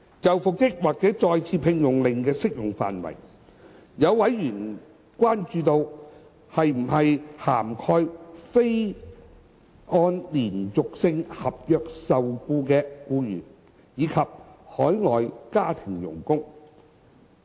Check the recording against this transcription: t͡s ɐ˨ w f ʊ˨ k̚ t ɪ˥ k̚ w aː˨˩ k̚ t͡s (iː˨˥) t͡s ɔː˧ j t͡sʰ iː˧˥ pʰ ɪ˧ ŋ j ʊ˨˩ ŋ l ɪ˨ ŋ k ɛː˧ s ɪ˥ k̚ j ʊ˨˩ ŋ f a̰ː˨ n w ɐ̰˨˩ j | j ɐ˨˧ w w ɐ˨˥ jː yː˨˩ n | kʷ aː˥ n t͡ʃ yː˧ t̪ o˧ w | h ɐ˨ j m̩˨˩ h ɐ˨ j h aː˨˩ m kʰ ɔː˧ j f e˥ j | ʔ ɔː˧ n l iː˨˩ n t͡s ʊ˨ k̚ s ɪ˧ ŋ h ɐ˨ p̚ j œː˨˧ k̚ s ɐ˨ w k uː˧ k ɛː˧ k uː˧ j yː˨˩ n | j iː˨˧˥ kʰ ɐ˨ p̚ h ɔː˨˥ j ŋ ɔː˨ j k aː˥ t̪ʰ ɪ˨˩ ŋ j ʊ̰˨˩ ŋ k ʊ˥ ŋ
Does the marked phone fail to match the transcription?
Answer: yes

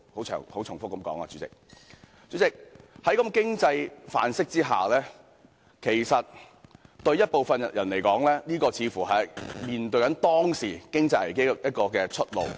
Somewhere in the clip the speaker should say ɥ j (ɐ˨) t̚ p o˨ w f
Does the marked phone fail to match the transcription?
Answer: yes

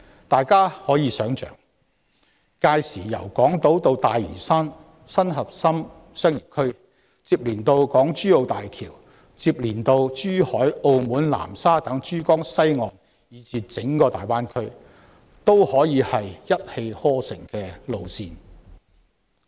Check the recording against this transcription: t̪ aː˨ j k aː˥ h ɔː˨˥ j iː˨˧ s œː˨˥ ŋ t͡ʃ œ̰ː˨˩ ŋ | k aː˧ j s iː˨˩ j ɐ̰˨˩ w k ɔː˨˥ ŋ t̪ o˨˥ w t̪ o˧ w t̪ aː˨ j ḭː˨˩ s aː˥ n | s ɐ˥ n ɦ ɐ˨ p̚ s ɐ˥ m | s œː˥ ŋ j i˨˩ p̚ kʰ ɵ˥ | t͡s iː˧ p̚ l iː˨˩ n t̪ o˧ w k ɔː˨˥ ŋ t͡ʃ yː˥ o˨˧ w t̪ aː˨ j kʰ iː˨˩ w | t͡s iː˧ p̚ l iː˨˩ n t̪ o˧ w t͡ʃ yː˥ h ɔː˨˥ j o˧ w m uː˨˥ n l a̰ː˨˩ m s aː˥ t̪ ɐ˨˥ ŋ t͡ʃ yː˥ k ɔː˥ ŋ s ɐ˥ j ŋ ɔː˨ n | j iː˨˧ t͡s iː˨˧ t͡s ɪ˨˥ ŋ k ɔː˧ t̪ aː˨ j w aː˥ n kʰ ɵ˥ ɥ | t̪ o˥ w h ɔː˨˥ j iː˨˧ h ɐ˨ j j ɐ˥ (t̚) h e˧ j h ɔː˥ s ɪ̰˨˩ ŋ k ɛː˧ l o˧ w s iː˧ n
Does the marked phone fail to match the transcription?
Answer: no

